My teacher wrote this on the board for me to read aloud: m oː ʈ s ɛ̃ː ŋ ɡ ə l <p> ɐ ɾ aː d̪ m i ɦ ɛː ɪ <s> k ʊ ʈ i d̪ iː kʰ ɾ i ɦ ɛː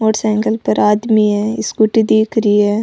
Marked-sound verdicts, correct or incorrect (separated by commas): correct, correct